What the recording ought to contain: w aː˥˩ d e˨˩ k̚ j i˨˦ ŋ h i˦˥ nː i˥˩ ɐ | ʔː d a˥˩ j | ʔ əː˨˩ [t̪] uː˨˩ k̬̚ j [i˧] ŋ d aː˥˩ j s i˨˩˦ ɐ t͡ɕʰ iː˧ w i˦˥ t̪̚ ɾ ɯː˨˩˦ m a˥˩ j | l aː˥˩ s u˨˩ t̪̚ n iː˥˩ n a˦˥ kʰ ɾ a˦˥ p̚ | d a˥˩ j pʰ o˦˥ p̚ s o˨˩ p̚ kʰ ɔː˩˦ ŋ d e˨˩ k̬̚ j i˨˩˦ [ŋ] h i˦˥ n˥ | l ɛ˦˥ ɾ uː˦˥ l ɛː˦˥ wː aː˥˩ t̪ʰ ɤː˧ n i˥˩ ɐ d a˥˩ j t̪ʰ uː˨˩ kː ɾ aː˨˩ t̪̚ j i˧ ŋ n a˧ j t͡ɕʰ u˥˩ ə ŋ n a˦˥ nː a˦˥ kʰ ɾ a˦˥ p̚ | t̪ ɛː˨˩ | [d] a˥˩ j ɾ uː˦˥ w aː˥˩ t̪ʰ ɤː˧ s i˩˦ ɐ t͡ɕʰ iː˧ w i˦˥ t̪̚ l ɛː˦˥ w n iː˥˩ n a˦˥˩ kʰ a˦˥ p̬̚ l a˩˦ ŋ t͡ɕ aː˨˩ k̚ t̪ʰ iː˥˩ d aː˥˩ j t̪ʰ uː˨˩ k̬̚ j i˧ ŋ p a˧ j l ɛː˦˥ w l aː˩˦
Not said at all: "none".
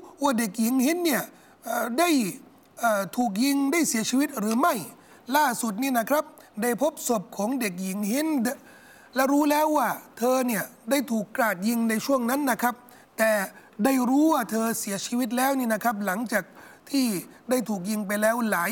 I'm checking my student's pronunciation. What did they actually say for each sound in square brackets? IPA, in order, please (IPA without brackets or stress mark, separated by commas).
t̪ʰ, i˧, ŋ, d